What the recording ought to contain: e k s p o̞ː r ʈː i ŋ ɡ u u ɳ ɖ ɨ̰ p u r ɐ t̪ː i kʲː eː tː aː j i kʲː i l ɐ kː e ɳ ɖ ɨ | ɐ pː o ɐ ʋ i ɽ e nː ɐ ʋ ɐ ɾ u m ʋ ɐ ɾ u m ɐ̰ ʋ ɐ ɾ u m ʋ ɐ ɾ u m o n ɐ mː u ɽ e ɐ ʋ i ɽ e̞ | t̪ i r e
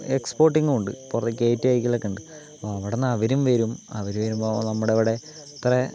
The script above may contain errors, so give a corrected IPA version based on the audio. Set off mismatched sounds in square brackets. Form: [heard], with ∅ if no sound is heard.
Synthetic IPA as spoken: e k s p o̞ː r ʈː i ŋ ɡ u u ɳ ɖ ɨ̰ p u r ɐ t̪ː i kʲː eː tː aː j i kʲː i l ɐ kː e ɳ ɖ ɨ | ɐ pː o ɐ ʋ i ɽ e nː ɐ ʋ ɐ ɾ u m ʋ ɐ ɾ u m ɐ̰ ʋ ɐ ɾ u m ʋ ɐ ɾ u m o n ɐ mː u ɽ e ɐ ʋ i ɽ e̞ | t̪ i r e